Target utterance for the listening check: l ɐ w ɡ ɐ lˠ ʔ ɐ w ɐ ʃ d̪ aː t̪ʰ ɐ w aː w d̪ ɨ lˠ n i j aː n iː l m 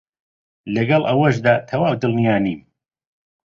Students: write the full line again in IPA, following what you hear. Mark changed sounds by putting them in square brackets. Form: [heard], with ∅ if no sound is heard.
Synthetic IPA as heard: l ɐ [∅] ɡ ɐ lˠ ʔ ɐ w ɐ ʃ d̪ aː t̪ʰ ɐ w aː w d̪ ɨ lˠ n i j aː n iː [∅] m